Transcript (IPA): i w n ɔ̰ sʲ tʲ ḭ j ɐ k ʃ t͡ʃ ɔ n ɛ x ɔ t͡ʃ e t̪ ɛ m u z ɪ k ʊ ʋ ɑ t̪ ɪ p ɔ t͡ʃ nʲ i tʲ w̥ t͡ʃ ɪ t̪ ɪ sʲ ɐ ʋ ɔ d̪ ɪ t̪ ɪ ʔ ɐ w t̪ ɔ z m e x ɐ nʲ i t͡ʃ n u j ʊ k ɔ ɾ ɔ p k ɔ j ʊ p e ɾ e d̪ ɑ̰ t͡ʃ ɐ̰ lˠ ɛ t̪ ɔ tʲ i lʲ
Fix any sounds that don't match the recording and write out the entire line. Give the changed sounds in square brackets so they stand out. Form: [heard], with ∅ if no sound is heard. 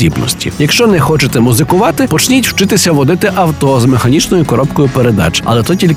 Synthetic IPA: i [b] n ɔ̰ sʲ tʲ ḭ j ɐ k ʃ t͡ʃ ɔ n ɛ x ɔ t͡ʃ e t̪ ɛ m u z ɪ k ʊ ʋ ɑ t̪ ɪ p ɔ t͡ʃ nʲ i tʲ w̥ t͡ʃ ɪ t̪ ɪ sʲ ɐ ʋ ɔ d̪ ɪ t̪ ɪ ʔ ɐ w t̪ ɔ z m e x ɐ nʲ i t͡ʃ n [ɔ] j ʊ k ɔ ɾ ɔ p k ɔ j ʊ p e ɾ e d̪ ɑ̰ t͡ʃ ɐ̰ lˠ ɛ t̪ ɔ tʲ i lʲ